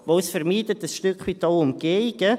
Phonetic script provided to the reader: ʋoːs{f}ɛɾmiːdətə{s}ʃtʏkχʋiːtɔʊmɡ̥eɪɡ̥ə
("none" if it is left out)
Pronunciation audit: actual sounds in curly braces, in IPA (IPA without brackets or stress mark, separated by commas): f, s